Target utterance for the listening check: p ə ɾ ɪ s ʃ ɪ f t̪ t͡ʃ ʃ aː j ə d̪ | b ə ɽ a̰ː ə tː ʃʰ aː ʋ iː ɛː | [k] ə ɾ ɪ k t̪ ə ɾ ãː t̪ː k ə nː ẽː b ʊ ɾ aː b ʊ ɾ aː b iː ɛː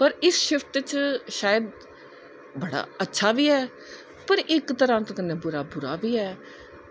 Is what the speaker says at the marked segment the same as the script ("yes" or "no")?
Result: no